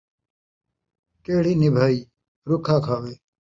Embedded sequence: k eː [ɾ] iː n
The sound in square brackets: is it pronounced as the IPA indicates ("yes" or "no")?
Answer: no